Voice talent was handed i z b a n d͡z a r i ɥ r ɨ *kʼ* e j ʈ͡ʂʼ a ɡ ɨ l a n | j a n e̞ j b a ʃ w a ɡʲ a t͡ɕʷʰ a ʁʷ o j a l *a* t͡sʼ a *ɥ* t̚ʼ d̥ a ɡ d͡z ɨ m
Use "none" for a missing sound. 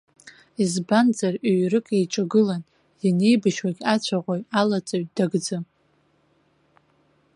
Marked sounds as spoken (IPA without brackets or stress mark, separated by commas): kʼ, a, ɥ